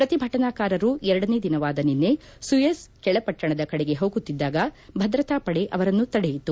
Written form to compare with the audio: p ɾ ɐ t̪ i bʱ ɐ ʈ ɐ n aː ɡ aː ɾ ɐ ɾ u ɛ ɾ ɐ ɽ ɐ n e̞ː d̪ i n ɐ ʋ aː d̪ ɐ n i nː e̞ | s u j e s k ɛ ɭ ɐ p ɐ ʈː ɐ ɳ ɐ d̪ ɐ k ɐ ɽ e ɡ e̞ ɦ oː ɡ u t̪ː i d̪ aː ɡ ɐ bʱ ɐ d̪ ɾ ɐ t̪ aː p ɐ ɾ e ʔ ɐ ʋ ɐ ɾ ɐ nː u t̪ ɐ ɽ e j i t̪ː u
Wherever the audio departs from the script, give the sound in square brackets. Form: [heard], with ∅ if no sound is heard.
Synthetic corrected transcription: p ɾ ɐ t̪ i bʱ ɐ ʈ ɐ n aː [k] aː ɾ ɐ ɾ u ɛ ɾ ɐ ɽ ɐ n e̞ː d̪ i n ɐ ʋ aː d̪ ɐ n i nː e̞ | s u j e s k ɛ ɭ ɐ p ɐ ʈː ɐ ɳ ɐ d̪ ɐ k ɐ ɽ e ɡ e̞ ɦ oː ɡ u t̪ː i [d̪ː] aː ɡ ɐ bʱ ɐ d̪ ɾ ɐ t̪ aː p ɐ [ɽ] e ʔ ɐ ʋ ɐ ɾ ɐ nː u t̪ ɐ ɽ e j i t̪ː u

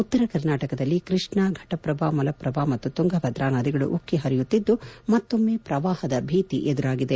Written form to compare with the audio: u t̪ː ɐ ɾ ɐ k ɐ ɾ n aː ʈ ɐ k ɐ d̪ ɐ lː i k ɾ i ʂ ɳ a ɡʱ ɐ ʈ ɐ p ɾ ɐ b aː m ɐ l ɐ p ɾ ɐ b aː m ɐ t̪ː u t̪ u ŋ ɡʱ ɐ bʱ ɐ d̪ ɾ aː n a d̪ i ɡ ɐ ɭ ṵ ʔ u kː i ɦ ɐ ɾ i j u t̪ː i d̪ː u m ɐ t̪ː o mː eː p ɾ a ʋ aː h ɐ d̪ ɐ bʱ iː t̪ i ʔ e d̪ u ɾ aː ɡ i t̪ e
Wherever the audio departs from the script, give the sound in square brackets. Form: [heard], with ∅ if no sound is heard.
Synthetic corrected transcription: u t̪ː ɐ ɾ ɐ k ɐ ɾ n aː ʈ ɐ k ɐ d̪ ɐ lː i k ɾ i ʂ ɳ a ɡʱ ɐ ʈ ɐ p ɾ ɐ b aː m ɐ l ɐ p ɾ ɐ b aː m ɐ t̪ː u t̪ u ŋ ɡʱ ɐ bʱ ɐ d̪ ɾ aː n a d̪ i ɡ ɐ ɭ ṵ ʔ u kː i ɦ ɐ ɾ i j u t̪ː i d̪ː u m ɐ t̪ː o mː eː p ɾ [ɐ] ʋ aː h ɐ d̪ ɐ bʱ iː t̪ i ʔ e d̪ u ɾ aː ɡ i [d̪] e

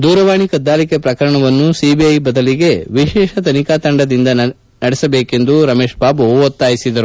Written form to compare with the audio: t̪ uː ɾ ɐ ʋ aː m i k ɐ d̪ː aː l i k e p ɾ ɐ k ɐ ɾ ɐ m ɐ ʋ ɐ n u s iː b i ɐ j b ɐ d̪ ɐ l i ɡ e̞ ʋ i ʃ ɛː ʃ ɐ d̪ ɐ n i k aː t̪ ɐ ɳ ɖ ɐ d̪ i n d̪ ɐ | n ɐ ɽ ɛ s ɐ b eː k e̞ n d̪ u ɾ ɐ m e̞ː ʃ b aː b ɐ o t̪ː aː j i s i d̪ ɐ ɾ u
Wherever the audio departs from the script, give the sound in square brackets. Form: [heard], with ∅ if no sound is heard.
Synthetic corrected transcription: [d̪] uː ɾ ɐ ʋ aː [ɳ] i k ɐ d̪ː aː l i k e p ɾ ɐ k ɐ ɾ ɐ [ɳ] ɐ ʋ ɐ [nː] u s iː b i ɐ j b ɐ d̪ ɐ l i ɡ e̞ ʋ i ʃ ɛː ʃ ɐ [t̪] ɐ n i k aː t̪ ɐ ɳ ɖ ɐ d̪ i n d̪ ɐ | n ɐ ɽ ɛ s ɐ b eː k e̞ n d̪ u ɾ ɐ m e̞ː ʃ b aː b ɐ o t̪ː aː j i s i d̪ ɐ ɾ u

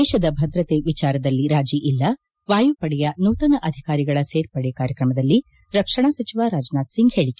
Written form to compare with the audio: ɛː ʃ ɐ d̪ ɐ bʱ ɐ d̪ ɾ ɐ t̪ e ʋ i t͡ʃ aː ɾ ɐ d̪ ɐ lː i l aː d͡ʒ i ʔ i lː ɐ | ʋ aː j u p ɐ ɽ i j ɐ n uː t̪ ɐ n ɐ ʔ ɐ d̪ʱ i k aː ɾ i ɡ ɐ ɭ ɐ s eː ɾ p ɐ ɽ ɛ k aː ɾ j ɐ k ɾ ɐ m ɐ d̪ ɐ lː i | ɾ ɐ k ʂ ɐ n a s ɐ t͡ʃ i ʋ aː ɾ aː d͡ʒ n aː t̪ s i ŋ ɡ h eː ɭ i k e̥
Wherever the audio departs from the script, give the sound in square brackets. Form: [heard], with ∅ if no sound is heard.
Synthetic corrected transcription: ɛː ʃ ɐ d̪ ɐ bʱ ɐ d̪ ɾ ɐ t̪ e ʋ i t͡ʃ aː ɾ ɐ d̪ ɐ lː i [ɾ] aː d͡ʒ i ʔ i lː ɐ | ʋ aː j u p ɐ ɽ [ɛ] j ɐ n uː t̪ ɐ n ɐ ʔ ɐ d̪ʱ i k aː ɾ i ɡ ɐ ɭ ɐ s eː ɾ p ɐ ɽ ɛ k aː ɾ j ɐ k ɾ ɐ m ɐ d̪ ɐ lː i | ɾ ɐ k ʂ ɐ [ɳ] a s ɐ t͡ʃ i ʋ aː ɾ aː d͡ʒ n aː t̪ s i ŋ ɡ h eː ɭ i k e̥

